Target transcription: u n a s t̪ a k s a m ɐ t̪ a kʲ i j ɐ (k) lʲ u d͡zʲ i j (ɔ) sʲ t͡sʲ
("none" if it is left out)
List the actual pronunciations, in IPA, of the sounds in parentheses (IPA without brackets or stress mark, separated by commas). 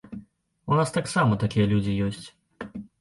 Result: none, ɔ